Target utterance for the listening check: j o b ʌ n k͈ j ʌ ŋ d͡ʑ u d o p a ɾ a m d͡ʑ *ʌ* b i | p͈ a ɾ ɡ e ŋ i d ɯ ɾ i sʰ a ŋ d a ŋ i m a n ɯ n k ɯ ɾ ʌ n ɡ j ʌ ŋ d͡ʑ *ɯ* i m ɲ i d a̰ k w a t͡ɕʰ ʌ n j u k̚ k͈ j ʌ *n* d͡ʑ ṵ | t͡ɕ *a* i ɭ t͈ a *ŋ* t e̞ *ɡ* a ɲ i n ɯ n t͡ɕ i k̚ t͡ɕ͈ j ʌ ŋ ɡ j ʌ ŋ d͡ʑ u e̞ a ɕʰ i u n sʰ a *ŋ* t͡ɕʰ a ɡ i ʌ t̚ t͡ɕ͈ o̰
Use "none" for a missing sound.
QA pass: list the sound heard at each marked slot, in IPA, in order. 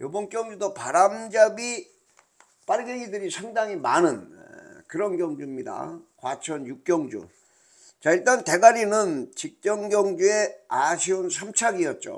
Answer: a, u, ŋ, a, n, ɡ, m

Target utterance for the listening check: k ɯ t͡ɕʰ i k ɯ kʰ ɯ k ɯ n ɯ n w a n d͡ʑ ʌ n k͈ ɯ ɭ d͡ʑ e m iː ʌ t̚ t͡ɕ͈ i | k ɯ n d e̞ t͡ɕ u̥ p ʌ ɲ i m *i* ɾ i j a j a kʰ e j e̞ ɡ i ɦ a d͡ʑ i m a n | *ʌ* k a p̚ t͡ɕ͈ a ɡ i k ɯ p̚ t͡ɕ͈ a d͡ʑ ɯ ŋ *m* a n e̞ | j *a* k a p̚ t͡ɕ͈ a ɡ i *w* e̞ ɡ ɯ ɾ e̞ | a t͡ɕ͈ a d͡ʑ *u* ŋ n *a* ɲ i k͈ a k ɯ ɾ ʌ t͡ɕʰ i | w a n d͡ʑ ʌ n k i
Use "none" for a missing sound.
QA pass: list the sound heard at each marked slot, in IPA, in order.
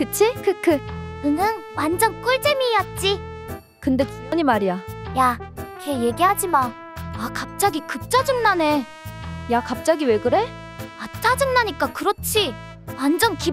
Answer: a, a, n, a, w, ɯ, a

